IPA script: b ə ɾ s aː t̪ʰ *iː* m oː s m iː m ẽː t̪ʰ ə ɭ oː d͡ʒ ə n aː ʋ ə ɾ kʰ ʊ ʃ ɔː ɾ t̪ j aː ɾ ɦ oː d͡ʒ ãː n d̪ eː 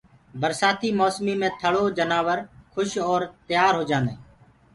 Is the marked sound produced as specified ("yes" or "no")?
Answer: yes